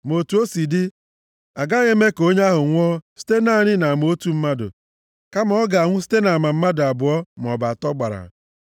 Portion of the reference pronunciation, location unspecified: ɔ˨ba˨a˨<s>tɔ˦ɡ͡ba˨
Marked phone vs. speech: incorrect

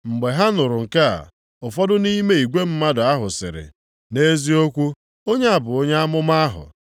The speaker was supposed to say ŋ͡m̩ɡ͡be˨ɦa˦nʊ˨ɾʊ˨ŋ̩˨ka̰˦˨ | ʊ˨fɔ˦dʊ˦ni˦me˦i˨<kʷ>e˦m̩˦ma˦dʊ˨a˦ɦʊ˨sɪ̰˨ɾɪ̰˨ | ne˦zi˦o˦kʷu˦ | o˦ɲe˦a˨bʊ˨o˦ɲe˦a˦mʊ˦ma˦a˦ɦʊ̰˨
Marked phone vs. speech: incorrect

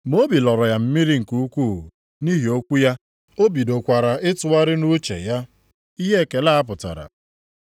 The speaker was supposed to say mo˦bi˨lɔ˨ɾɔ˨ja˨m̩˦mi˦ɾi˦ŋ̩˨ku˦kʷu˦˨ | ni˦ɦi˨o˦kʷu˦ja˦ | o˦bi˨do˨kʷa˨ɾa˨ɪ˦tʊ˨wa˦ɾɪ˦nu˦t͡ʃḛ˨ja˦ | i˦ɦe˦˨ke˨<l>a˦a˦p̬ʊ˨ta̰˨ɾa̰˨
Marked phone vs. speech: correct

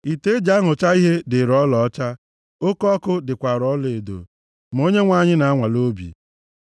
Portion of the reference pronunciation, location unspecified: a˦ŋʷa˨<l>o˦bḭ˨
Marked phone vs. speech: correct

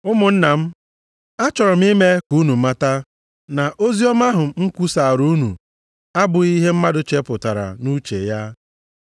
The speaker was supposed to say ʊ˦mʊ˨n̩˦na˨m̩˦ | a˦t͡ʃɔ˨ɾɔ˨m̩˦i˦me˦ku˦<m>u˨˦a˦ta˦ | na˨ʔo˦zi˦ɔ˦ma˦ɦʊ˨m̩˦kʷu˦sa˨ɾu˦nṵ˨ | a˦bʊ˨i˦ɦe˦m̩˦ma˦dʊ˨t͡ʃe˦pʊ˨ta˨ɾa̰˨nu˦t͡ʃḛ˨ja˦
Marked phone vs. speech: incorrect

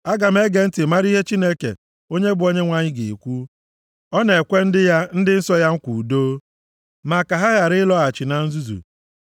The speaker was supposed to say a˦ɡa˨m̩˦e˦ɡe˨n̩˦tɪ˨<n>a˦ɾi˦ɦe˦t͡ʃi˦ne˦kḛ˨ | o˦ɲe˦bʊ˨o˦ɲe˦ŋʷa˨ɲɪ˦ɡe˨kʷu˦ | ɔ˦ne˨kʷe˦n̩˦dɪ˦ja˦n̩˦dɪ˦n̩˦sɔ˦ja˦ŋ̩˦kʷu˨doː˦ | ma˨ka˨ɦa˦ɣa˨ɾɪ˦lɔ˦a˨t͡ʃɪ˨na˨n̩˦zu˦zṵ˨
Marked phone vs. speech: incorrect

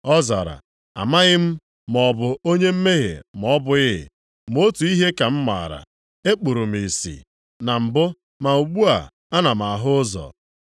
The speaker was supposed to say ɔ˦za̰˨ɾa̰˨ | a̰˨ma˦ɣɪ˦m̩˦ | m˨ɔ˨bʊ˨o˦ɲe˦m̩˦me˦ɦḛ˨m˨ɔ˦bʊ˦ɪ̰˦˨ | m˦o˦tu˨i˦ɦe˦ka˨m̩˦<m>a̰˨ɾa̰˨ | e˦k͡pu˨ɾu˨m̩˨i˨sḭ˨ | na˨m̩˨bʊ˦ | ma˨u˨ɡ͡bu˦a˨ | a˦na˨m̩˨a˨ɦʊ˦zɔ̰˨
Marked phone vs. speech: correct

